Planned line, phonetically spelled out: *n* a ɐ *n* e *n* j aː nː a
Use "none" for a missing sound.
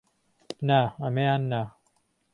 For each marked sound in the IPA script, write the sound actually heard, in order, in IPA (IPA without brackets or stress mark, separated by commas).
n, m, none